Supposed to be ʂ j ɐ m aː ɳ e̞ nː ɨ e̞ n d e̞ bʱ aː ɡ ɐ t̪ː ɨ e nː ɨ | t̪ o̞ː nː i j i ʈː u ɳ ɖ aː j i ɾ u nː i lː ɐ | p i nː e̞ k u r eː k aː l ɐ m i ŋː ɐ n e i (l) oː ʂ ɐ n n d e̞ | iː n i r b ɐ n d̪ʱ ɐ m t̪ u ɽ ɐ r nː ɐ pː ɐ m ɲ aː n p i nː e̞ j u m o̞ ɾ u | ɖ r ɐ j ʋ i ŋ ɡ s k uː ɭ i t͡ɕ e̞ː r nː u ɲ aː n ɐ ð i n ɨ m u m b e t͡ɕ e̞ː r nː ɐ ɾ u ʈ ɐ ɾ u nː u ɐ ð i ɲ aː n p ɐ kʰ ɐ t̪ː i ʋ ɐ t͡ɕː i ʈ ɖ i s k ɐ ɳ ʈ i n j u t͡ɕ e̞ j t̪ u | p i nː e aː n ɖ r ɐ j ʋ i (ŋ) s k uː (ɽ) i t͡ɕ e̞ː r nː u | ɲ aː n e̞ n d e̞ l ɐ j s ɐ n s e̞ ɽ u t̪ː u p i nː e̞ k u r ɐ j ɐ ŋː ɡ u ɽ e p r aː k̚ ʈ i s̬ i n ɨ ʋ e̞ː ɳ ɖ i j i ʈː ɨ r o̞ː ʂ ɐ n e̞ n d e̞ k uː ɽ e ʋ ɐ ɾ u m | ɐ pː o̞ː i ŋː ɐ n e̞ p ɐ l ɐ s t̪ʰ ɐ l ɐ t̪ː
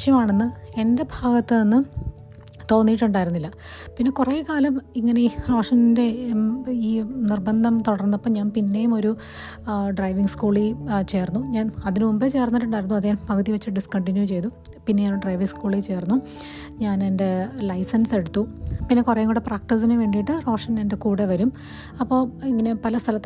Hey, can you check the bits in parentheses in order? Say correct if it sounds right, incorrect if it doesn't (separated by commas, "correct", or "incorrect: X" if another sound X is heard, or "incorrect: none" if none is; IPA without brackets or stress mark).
incorrect: r, correct, incorrect: ɭ